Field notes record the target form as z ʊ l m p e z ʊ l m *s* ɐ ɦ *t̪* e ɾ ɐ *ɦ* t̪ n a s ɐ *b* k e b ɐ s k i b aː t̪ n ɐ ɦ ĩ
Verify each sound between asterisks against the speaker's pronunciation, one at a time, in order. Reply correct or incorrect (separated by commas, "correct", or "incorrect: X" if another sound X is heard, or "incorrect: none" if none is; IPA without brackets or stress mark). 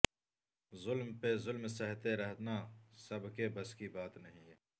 correct, correct, correct, correct